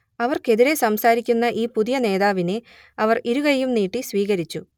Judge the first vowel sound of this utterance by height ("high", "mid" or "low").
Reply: low